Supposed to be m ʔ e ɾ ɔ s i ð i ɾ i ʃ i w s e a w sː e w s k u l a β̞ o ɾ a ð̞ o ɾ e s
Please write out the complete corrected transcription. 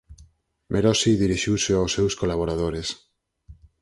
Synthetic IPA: m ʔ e ɾ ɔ s i ð i ɾ i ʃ i w s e a w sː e w s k o l a β̞ o ɾ a ð̞ o ɾ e s